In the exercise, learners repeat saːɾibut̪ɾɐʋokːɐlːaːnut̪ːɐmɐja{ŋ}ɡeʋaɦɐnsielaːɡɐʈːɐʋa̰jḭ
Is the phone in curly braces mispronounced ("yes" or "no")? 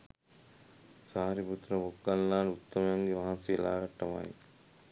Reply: no